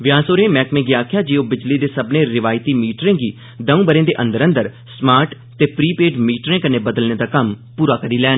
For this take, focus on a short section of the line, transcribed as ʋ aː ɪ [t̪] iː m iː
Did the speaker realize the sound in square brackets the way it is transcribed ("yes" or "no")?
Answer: yes